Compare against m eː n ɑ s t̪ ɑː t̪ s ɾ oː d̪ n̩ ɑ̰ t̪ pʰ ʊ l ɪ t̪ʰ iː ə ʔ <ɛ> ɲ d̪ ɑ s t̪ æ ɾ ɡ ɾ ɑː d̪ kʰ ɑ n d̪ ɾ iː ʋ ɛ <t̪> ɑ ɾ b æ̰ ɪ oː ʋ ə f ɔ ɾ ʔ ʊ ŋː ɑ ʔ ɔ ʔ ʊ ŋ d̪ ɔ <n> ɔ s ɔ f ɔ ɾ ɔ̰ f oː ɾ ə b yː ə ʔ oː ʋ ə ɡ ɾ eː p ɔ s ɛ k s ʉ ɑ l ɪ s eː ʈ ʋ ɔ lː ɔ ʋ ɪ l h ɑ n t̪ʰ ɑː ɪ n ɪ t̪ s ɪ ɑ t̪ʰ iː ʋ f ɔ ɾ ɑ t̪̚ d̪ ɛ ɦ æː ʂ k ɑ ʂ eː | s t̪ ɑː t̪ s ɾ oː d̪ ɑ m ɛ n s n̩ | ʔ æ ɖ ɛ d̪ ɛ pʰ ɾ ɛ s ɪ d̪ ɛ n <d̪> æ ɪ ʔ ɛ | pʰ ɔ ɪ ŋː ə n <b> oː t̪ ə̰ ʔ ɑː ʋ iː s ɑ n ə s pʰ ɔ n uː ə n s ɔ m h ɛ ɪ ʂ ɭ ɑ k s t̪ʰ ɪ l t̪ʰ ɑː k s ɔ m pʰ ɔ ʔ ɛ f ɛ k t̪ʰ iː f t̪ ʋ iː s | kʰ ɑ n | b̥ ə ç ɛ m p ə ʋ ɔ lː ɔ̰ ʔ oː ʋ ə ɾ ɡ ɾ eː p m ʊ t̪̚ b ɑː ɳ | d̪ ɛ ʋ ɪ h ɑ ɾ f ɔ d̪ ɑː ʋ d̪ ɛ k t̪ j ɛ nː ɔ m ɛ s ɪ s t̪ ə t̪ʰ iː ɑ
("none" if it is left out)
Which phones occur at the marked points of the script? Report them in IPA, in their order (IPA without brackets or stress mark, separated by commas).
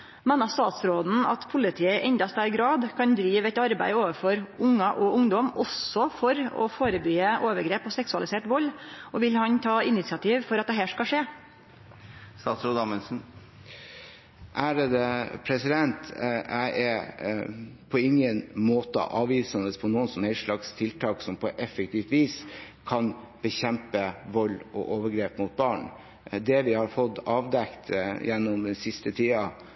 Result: ɛ, t̪, m, t̪, m